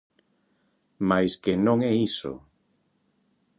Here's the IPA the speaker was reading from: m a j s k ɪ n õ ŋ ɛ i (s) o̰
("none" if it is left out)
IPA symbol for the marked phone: s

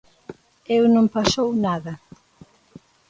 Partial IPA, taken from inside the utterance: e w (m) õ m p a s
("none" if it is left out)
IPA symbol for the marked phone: n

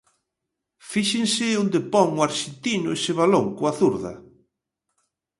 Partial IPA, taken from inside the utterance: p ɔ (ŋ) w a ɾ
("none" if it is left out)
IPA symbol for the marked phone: ŋ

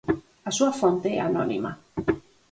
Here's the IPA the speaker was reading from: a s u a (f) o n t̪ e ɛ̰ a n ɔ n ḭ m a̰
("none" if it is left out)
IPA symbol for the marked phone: f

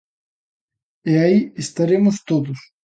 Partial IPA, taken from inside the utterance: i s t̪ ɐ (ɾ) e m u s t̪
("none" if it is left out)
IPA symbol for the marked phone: ɾ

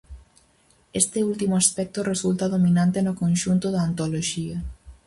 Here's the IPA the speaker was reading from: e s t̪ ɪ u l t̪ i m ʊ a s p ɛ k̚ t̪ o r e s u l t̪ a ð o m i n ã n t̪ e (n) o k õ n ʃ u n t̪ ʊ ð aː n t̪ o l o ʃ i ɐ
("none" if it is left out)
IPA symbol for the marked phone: n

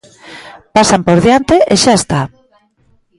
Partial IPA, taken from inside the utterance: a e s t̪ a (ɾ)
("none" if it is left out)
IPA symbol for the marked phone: none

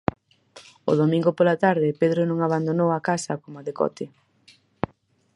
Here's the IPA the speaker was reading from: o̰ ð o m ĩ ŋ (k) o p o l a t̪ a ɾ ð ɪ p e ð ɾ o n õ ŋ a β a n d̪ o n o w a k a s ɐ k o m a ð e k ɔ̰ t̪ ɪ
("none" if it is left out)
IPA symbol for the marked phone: ɡ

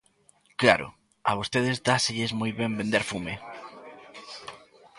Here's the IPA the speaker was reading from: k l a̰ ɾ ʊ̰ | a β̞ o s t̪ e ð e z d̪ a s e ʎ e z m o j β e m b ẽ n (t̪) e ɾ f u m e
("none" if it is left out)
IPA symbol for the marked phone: d̪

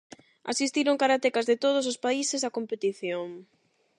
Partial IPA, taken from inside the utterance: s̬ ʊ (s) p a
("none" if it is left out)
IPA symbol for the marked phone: s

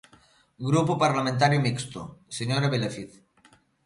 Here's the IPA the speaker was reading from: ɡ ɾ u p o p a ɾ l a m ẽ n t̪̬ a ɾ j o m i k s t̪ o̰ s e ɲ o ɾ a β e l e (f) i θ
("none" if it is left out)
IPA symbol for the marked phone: f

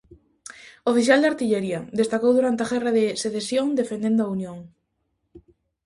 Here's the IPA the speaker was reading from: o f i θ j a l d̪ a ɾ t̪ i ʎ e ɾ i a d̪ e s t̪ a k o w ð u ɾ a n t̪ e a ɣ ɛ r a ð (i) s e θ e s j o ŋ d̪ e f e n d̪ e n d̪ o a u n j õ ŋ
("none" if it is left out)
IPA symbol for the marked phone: e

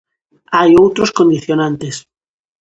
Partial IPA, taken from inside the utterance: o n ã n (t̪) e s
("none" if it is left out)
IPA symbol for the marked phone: t̪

